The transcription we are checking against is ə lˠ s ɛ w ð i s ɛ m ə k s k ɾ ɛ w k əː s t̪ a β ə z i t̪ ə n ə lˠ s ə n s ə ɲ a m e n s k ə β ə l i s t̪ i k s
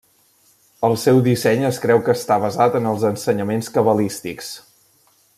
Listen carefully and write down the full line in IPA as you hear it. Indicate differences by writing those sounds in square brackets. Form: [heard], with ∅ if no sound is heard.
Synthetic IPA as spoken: ə lˠ s ɛ w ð i s ɛ [ɲ] ə [∅] s k ɾ ɛ w k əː s t̪ a β ə z [a] t̪ ə n ə lˠ [z] ə n s ə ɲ [ə] m e n s k ə β ə l i s t̪ i k s